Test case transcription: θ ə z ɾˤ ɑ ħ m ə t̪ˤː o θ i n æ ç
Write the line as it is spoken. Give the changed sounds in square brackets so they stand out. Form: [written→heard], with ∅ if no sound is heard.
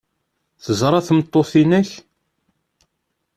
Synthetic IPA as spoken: θ ə z ɾˤ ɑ [ħ→θ] m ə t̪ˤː o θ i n æ ç